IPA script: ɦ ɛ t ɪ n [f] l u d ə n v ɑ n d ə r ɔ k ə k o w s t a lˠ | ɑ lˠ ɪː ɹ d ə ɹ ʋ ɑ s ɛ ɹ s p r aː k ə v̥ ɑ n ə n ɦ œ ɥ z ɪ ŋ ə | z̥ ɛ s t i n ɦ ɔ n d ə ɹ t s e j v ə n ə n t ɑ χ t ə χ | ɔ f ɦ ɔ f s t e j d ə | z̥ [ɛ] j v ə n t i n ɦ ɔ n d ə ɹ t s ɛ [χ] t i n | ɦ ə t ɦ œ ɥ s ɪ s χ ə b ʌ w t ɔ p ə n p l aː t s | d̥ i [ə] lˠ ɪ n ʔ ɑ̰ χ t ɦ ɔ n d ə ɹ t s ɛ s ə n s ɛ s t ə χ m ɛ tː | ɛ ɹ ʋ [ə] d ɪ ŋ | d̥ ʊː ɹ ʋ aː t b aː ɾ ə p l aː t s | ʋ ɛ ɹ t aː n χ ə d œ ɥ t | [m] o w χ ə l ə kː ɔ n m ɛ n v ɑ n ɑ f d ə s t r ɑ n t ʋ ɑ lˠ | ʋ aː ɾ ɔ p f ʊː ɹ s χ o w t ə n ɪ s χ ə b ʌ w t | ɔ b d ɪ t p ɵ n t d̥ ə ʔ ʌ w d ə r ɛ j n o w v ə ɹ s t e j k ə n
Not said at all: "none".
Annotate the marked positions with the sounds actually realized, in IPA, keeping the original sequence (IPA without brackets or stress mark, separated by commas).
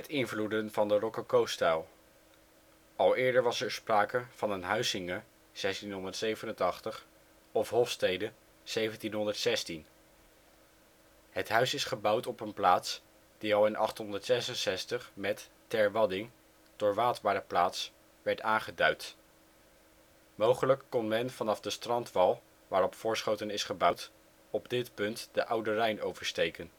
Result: v, e, s, ɑ, ɑ, m